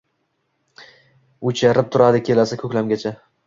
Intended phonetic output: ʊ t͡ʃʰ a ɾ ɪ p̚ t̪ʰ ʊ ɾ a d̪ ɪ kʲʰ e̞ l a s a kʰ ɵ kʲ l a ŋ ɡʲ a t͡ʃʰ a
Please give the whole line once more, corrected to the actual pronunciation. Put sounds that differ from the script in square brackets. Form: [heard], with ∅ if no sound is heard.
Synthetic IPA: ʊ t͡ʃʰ a ɾ ɪ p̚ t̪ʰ ʊ ɾ a d̪ ɪ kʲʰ e̞ l a s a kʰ ɵ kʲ l a [m] ɡʲ a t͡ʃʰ a